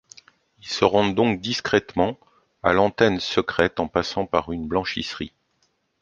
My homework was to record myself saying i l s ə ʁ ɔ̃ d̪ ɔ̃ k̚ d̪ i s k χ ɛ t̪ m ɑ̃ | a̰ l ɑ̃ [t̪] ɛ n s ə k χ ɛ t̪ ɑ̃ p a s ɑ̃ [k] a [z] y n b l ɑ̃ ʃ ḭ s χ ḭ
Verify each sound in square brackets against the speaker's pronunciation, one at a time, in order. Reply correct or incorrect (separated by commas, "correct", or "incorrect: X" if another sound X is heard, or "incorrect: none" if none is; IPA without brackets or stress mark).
correct, incorrect: p, incorrect: ʁ